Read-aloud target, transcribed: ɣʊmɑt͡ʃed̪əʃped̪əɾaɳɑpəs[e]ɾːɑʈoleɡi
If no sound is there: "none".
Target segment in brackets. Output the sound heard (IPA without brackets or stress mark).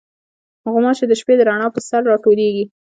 a